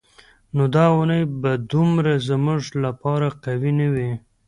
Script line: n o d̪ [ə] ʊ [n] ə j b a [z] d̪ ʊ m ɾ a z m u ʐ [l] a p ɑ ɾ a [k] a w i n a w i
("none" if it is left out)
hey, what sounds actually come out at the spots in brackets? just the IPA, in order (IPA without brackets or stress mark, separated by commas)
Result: ɑ, n, none, l, q